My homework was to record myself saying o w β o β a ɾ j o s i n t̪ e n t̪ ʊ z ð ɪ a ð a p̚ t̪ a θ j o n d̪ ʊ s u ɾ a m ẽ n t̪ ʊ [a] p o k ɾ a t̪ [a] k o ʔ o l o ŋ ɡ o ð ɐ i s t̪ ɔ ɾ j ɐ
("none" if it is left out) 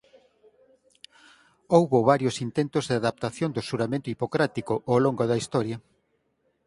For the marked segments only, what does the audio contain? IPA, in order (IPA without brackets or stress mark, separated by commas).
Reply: i, i